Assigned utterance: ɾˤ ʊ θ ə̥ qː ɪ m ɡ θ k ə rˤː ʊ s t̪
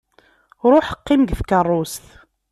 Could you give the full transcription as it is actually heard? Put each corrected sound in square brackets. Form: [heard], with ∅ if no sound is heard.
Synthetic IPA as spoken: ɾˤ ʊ [ħ] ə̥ qː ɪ m ɡ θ k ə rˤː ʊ s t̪